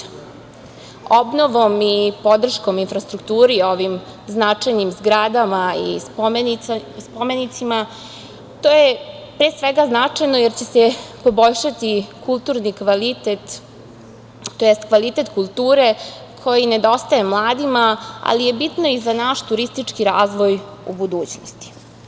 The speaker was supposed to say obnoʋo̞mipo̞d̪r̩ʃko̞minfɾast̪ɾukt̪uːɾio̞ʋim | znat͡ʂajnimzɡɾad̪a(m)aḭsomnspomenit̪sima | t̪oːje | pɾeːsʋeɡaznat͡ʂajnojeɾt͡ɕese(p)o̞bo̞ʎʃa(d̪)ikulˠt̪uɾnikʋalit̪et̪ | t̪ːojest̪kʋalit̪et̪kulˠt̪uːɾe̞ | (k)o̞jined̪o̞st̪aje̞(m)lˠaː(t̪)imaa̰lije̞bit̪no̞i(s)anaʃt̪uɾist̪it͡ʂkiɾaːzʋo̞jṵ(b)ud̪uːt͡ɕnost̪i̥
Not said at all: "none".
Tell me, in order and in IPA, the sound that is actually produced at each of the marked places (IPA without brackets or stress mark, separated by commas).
m, p, t̪, kʰ, m, d̪, z, b